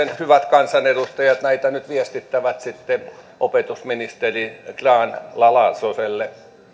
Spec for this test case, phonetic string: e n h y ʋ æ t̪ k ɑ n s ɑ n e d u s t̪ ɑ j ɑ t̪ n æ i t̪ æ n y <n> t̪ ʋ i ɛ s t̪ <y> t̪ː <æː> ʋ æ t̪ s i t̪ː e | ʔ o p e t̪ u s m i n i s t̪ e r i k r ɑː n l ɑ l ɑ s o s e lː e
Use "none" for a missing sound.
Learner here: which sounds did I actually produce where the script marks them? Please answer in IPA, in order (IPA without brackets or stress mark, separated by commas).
none, i, æ